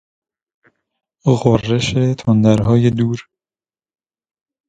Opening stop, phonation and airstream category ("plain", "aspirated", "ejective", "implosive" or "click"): aspirated